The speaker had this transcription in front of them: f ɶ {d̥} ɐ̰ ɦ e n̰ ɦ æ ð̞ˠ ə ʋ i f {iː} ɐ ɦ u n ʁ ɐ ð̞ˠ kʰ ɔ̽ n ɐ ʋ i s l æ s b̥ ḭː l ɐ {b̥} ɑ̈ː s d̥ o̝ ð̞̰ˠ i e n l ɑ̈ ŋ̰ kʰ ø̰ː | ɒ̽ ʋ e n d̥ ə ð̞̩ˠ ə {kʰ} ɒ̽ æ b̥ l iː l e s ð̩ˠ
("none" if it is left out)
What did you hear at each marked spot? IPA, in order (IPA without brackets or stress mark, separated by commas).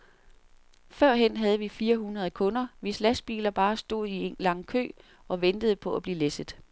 none, iː, b̥, pʰ